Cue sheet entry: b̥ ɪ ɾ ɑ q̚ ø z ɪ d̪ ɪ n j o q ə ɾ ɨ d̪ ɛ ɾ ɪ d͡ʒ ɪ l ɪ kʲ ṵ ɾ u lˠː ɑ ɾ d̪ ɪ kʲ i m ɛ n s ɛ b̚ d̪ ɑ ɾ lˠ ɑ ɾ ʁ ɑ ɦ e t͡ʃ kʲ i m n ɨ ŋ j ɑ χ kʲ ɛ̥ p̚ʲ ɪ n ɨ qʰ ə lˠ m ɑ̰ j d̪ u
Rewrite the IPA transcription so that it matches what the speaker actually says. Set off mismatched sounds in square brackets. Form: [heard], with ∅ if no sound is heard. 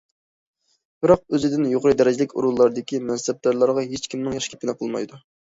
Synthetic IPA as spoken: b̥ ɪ ɾ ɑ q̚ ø z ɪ d̪ ɪ n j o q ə ɾ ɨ d̪ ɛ ɾ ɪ d͡ʒ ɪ l ɪ kʲ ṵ ɾ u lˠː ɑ ɾ d̪ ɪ kʲ i m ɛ n s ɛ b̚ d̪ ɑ ɾ lˠ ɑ ɾ ʁ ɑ ɦ e t͡ʃ kʲ i m n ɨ ŋ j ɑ [ʃ] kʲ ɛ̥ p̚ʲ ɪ n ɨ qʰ ə lˠ m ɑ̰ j d̪ u